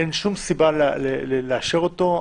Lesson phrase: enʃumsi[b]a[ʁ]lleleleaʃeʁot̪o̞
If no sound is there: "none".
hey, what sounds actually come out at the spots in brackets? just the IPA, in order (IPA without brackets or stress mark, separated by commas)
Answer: b, none